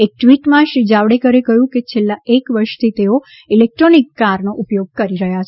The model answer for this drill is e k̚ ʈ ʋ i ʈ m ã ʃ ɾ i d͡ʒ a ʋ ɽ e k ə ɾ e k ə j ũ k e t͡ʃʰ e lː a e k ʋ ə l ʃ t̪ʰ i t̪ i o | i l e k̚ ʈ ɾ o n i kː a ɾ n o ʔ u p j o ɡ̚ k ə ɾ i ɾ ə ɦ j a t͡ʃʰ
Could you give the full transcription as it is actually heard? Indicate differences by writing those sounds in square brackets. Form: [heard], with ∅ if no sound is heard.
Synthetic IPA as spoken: e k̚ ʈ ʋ i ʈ m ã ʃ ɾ i d͡ʒ a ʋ ɽ e k ə ɾ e k ə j ũ k e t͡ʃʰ e lː a e k ʋ ə [ɾ] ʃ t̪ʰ i t̪ [e] o | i l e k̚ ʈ ɾ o n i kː a ɾ n o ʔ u p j o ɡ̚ k ə ɾ i ɾ ə ɦ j a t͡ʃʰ